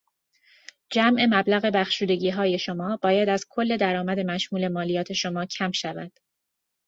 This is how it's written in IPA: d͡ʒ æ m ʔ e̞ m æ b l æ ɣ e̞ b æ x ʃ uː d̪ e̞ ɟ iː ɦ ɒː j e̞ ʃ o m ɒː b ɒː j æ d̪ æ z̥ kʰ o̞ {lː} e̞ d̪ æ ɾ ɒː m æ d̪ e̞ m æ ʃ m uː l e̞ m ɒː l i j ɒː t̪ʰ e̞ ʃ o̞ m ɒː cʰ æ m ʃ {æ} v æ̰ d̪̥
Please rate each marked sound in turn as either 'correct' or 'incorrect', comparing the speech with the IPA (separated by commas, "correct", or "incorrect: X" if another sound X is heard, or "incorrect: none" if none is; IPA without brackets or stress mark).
correct, correct